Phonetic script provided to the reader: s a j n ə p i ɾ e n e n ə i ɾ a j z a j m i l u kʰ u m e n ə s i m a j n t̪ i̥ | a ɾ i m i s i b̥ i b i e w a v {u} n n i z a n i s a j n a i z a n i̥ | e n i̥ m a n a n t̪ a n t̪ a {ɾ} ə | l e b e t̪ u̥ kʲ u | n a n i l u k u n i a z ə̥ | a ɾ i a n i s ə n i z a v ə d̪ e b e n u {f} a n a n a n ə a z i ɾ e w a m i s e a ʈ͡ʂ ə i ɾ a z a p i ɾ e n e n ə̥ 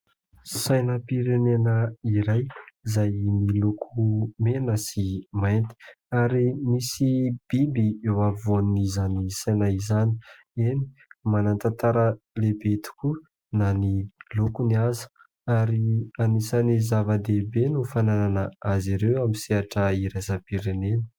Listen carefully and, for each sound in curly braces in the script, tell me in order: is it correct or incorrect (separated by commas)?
incorrect, correct, correct